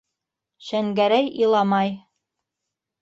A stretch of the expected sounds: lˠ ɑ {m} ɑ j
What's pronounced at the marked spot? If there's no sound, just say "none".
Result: m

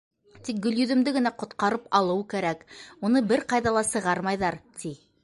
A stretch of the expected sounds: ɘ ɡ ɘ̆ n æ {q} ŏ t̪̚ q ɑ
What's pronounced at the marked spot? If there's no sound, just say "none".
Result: q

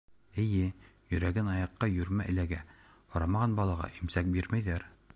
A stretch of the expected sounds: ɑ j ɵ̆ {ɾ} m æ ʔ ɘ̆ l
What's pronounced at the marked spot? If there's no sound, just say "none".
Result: ɾ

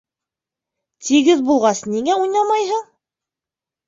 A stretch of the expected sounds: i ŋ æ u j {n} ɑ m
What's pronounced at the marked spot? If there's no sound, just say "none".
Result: n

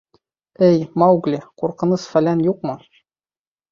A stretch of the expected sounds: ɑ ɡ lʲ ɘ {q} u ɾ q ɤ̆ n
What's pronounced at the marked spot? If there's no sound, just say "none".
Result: q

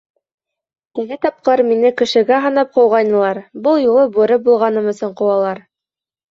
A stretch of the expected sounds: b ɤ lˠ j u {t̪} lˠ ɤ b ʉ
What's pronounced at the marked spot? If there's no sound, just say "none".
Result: none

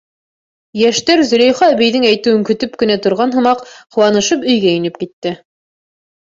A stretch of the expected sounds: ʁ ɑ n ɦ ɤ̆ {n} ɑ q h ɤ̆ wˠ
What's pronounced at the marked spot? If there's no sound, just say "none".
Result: m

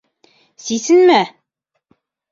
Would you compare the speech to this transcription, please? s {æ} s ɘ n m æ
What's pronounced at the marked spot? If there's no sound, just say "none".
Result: i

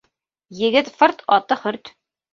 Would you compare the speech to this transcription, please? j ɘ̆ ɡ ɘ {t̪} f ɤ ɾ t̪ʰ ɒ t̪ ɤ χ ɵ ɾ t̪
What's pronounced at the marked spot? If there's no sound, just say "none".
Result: t̪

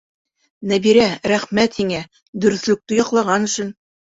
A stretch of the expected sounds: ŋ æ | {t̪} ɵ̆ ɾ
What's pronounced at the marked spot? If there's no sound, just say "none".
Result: d̪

